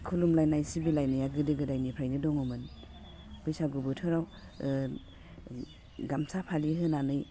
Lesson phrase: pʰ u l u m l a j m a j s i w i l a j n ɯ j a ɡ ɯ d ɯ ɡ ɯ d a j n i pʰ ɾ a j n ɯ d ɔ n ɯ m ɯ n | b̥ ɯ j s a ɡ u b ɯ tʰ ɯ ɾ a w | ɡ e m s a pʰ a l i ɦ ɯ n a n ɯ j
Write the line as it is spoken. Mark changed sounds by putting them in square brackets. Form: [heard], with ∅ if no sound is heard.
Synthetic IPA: [kʰ] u l u m l a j [n] a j s i [b] i l a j n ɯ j a ɡ ɯ d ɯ ɡ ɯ d a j n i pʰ ɾ a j n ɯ d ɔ [ŋ] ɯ m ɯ n | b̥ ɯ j s a ɡ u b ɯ tʰ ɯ ɾ a w | ɡ [a] m s a pʰ a l i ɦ ɯ n a n ɯ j